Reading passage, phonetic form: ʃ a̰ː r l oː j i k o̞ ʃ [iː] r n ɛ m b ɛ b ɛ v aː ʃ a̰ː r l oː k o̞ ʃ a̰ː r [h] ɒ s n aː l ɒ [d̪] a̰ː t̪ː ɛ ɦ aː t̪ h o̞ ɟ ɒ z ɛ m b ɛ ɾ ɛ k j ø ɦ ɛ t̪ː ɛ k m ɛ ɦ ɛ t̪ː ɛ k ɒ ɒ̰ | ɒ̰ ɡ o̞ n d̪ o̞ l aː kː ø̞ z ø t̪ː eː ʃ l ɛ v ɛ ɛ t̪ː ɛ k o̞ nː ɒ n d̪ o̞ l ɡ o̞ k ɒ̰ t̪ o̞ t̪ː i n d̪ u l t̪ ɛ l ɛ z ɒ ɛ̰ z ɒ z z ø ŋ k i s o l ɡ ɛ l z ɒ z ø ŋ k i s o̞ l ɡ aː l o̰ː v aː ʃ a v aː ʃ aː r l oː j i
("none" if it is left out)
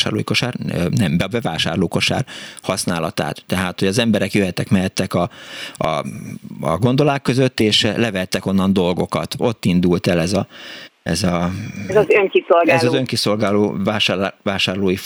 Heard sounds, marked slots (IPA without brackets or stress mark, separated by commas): aː, h, t̪